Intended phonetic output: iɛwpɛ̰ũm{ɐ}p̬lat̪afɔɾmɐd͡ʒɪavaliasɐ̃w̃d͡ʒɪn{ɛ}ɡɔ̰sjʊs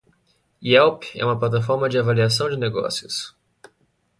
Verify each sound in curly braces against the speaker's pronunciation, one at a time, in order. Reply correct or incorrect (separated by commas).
correct, incorrect